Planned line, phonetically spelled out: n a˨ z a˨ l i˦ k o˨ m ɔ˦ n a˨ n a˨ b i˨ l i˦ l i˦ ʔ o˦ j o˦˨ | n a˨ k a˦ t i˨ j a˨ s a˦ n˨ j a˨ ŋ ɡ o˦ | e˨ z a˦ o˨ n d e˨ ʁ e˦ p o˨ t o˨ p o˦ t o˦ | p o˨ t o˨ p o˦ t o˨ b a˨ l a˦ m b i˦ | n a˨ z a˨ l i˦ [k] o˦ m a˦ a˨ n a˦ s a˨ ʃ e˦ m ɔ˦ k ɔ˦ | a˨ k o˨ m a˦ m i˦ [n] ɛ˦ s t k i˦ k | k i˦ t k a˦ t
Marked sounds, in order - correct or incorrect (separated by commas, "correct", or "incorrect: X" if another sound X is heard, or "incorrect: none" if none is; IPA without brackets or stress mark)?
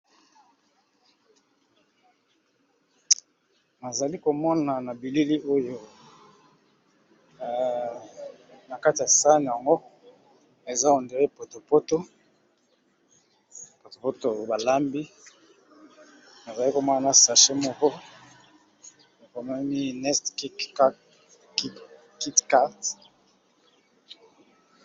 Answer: correct, correct